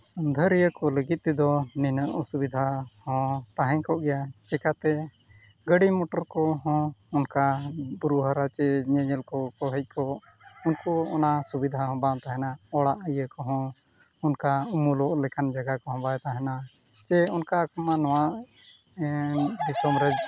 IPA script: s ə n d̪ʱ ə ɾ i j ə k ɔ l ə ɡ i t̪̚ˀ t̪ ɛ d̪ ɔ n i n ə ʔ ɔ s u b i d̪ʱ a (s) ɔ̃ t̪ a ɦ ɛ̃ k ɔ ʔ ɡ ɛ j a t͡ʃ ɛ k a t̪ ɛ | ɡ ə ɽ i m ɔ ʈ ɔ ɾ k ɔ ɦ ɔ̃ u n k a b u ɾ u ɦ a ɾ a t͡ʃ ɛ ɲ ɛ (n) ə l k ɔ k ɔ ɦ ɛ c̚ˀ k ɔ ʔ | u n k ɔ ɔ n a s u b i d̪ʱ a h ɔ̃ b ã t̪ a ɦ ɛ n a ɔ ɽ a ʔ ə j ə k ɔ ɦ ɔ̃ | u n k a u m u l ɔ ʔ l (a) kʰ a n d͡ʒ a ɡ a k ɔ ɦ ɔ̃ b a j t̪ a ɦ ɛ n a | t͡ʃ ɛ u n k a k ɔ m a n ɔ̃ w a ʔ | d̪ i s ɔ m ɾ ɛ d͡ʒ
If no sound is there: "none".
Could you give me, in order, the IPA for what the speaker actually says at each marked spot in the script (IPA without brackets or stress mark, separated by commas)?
h, ɲ, ɛ